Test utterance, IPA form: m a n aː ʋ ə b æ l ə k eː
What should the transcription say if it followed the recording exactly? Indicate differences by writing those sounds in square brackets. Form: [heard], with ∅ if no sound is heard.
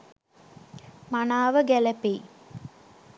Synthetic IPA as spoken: m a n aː ʋ ə [ɡ] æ l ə [p] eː